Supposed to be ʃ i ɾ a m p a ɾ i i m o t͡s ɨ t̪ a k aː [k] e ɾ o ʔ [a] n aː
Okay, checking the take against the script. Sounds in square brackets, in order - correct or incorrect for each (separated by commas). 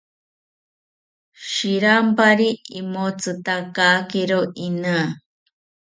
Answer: correct, incorrect